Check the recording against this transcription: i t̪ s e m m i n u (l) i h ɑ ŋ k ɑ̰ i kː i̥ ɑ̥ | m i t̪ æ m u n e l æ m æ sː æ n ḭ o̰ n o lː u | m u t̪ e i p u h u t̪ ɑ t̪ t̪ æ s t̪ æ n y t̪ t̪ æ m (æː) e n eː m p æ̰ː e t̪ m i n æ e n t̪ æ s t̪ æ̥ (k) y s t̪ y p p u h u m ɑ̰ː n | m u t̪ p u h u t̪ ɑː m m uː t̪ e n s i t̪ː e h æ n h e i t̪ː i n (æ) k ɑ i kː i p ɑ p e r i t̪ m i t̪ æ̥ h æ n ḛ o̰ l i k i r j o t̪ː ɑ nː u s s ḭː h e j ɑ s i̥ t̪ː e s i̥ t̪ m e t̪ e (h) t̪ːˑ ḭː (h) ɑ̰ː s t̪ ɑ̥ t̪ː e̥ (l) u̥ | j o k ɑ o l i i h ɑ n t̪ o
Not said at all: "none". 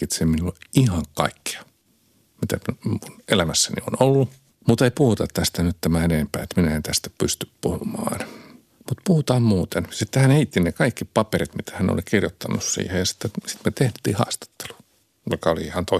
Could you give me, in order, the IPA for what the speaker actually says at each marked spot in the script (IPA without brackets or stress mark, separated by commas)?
l, æ, p, e, h, h, l